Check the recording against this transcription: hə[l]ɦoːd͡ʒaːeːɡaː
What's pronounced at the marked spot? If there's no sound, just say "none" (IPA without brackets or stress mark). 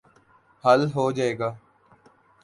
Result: l